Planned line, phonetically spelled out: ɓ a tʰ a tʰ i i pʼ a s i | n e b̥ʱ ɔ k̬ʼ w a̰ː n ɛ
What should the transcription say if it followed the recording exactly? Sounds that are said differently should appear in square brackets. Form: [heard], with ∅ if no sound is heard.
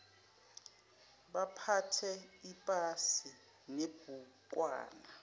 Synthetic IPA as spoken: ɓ a [pʰ] a tʰ [ɛ] i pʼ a s i | n e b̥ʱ [u] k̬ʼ w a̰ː n [a]